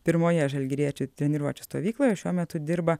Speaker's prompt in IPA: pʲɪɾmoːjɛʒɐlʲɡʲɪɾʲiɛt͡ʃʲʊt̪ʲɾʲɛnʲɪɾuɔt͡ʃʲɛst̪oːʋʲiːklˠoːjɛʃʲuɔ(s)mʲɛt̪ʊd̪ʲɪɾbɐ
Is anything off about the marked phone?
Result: yes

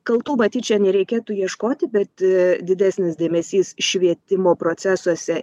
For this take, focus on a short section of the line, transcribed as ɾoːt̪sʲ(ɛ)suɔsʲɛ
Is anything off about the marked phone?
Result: yes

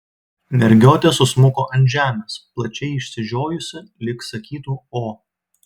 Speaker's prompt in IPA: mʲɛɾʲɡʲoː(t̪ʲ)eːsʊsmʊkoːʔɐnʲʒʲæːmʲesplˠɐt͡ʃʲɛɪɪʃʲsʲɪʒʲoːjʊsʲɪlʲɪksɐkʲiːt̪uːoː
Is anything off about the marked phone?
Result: no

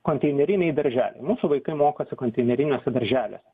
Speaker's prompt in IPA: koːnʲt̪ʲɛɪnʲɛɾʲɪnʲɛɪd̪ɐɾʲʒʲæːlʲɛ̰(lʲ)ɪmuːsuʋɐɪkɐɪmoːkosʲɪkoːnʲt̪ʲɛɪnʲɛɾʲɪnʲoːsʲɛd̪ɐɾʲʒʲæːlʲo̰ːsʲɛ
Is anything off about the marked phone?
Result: yes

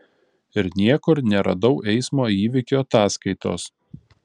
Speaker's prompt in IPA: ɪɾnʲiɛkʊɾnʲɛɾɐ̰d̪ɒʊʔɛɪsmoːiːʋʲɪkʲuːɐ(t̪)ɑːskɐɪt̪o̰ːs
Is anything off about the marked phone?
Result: no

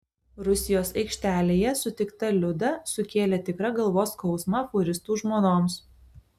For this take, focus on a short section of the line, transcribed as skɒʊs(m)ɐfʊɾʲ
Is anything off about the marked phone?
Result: no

